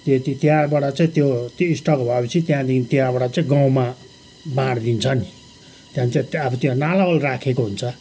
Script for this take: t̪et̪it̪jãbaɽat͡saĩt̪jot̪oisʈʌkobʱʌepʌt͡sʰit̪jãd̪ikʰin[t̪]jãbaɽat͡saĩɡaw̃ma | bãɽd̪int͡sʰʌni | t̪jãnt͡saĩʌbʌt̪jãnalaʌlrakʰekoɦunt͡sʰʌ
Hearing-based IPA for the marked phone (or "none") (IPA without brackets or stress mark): t̪